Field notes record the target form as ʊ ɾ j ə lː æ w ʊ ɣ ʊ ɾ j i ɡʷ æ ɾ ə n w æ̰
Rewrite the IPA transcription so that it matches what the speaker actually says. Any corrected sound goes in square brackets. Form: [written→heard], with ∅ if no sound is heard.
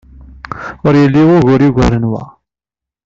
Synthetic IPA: ʊ ɾ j ə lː [æ→i] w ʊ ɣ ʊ ɾ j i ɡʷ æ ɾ ə n w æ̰